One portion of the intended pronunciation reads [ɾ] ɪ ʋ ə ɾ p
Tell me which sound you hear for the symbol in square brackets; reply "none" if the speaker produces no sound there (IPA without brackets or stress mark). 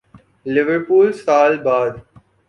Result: l